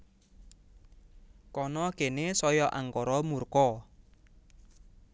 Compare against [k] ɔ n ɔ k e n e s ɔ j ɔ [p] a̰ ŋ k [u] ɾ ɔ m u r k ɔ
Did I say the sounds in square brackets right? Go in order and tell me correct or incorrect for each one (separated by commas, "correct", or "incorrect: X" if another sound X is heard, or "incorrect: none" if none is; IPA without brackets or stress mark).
correct, incorrect: ʔ, incorrect: ɔ